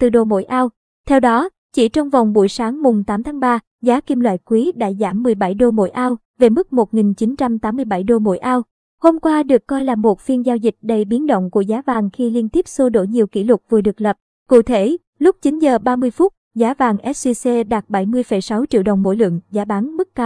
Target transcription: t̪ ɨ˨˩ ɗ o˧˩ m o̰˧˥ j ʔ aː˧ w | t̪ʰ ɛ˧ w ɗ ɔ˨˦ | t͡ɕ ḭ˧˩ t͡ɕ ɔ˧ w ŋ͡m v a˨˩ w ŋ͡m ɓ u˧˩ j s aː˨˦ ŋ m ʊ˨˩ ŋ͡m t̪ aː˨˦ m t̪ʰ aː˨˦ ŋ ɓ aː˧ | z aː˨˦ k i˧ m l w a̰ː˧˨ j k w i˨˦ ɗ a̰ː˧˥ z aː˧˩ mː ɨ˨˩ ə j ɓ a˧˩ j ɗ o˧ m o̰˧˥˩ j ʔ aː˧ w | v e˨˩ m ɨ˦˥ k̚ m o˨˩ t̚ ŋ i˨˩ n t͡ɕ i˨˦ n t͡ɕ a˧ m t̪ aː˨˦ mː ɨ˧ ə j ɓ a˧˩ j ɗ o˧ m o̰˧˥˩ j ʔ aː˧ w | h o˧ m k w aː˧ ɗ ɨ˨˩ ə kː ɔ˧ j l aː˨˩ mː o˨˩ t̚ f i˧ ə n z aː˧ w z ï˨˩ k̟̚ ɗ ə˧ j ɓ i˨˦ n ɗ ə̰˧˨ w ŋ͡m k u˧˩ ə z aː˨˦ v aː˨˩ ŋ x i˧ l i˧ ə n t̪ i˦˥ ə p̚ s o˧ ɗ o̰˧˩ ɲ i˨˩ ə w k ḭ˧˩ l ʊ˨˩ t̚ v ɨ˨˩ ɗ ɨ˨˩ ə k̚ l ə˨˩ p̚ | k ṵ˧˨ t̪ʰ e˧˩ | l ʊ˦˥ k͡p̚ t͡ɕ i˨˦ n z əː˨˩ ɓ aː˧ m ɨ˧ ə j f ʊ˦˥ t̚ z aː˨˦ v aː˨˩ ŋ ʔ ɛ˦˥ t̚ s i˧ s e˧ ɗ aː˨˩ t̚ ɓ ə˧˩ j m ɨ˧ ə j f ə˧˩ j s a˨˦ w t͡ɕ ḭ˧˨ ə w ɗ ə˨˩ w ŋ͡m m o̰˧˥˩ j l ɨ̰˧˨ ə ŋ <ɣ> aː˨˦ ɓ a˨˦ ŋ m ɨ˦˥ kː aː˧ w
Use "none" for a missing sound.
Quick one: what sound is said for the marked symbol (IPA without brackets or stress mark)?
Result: z